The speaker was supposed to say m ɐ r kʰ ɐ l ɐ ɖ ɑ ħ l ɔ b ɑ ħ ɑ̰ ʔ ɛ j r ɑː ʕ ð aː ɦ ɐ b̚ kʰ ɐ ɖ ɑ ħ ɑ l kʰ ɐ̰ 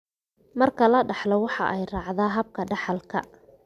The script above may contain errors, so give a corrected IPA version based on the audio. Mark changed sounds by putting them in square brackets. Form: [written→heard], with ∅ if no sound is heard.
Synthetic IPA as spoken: m ɐ r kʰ ɐ l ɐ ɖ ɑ ħ l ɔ [b→w] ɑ ħ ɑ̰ ʔ ɛ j r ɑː ʕ ð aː ɦ ɐ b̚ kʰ ɐ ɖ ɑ ħ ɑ l kʰ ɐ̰